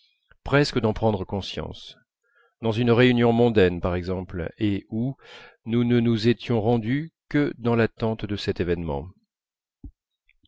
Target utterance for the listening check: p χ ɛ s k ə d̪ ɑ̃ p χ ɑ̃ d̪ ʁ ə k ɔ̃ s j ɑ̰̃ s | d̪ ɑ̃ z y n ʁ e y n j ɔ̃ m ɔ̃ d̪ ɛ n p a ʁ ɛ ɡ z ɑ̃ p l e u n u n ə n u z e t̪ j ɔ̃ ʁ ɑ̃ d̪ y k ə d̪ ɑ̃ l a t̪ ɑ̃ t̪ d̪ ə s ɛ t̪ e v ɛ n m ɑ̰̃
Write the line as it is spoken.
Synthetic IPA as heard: p χ ɛ s k ə d̪ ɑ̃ p χ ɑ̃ d̪ ʁ ə k ɔ̃ s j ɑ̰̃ s | d̪ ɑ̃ z y n ʁ e y n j ɔ̃ m ɔ̃ d̪ ɛ n p a ʁ ɛ ɡ z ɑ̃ p l e u n u n ə n u z e t̪ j ɔ̃ ʁ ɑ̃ d̪ y k ə d̪ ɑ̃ l a t̪ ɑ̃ t̪ d̪ ə s ɛ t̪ e v ɛ n m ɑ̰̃

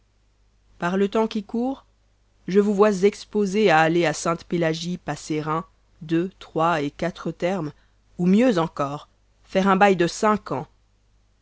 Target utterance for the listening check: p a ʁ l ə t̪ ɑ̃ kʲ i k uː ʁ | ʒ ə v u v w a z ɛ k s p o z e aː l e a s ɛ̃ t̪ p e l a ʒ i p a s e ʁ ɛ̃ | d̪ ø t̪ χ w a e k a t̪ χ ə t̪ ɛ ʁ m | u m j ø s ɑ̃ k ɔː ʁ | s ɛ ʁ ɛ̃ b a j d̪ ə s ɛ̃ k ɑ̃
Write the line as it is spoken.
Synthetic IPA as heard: p a ʁ l ə t̪ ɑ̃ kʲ i k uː ʁ | ʒ ə v u v w a z ɛ k s p o z e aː l e a s ɛ̃ t̪ p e l a ʒ i p a s e ʁ ɛ̃ | d̪ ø t̪ χ w a e k a t̪ χ ə t̪ ɛ ʁ m | u m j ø z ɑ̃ k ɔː ʁ | f ɛ ʁ ɛ̃ b a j d̪ ə s ɛ̃ k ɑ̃

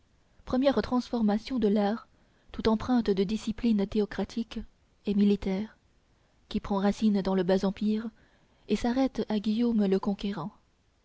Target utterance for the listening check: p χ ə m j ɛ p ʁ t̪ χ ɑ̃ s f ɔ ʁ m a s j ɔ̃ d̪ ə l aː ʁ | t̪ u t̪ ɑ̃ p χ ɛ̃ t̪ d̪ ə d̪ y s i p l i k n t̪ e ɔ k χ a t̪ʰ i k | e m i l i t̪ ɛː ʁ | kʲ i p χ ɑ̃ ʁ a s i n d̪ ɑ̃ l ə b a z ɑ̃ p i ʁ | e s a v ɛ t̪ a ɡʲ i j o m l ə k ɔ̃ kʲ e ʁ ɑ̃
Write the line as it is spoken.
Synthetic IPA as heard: p χ ə m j ɛ ʁ t̪ χ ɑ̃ s f ɔ ʁ m a s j ɔ̃ d̪ ə l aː ʁ | t̪ u t̪ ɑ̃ p χ ɛ̃ t̪ d̪ ə d̪ i s i p l i n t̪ e ɔ k χ a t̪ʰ i k | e m i l i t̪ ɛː ʁ | kʲ i p χ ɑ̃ ʁ a s i n d̪ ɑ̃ l ə b a z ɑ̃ p i ʁ | e s a ʁ ɛ t̪ a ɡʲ i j o m l ə k ɔ̃ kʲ e ʁ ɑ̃

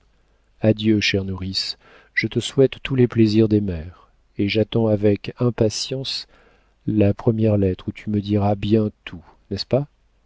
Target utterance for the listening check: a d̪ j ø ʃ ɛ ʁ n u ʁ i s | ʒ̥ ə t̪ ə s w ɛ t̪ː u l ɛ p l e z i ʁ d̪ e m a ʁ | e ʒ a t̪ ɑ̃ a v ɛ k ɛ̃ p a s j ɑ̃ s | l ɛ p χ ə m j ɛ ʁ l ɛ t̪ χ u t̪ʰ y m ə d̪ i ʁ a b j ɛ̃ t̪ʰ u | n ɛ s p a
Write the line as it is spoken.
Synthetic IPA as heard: a d̪ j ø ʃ ɛ ʁ n u ʁ i s | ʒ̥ ə t̪ ə s w ɛ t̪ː u l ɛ p l e z i ʁ d̪ e m ɛ ʁ | e ʒ a t̪ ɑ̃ a v ɛ k ɛ̃ p a s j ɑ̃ s | l a p χ ə m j ɛ ʁ l ɛ t̪ χ u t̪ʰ y m ə d̪ i ʁ a b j ɛ̃ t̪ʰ u | n ɛ s p a

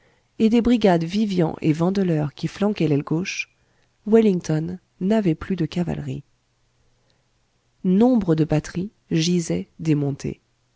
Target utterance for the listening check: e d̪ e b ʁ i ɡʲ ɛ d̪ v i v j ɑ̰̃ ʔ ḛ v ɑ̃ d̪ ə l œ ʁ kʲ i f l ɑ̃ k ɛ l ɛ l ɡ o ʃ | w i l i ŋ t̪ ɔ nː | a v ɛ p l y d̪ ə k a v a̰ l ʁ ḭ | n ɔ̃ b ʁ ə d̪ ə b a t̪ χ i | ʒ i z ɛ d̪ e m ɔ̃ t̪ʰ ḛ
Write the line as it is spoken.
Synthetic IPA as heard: e d̪ e b ʁ i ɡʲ a d̪ v i v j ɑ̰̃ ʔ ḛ v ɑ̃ d̪ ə l œ ʁ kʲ i f l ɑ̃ k ɛ l ɛ l ɡ o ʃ | w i l i ŋ t̪ ɔ nː | a v ɛ p l y d̪ ə k a v a̰ l ʁ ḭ | n ɔ̃ b ʁ ə d̪ ə b a t̪ χ i | ʒ i z ɛ d̪ e m ɔ̃ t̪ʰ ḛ

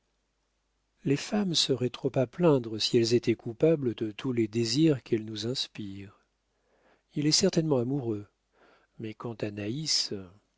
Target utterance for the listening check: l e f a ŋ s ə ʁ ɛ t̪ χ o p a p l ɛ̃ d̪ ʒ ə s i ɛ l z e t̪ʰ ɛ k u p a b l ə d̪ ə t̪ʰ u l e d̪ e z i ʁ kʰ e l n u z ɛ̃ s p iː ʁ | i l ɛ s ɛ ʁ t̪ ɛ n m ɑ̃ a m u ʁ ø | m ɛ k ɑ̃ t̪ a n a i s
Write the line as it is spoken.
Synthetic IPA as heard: l e f a m s ə ʁ ɛ t̪ χ o p a p l ɛ̃ d̪ ʁ ə s i ɛ l z e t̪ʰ ɛ k u p a b l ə d̪ ə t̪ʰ u l e d̪ e z i ʁ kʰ ɛ l n u z ɛ̃ s p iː ʁ | i l ɛ s ɛ ʁ t̪ ɛ n m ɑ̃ a m u ʁ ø | m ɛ k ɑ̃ t̪ a n a i s

